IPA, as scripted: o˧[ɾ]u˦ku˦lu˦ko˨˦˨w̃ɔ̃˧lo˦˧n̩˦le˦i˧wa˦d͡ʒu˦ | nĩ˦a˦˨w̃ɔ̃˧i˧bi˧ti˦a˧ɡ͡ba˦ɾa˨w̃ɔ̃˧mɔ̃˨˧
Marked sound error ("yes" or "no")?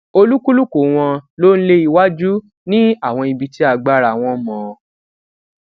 yes